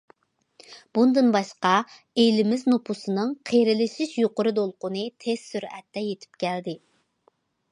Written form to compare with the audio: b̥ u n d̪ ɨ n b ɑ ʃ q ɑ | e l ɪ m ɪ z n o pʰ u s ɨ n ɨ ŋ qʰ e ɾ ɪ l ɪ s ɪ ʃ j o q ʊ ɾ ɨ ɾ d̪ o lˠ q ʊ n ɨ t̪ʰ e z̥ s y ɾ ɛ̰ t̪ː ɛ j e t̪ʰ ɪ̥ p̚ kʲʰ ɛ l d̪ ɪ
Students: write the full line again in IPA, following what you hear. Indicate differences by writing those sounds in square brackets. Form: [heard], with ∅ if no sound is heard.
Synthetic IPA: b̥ u n d̪ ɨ n b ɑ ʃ q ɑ | e l ɪ m ɪ z n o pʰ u s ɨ n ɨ ŋ qʰ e ɾ ɪ l ɪ [ʃ] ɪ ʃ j o q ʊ ɾ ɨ [∅] d̪ o lˠ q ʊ n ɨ t̪ʰ e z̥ s y ɾ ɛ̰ t̪ː ɛ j e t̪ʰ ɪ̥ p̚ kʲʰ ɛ l d̪ ɪ